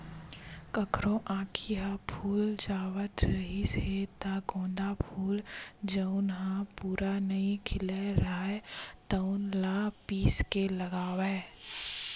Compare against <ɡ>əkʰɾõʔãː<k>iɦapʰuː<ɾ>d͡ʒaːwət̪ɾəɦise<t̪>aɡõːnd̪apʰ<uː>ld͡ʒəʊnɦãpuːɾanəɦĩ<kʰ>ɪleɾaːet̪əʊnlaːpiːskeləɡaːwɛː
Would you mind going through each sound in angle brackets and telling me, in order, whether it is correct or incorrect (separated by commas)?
incorrect, incorrect, incorrect, correct, correct, correct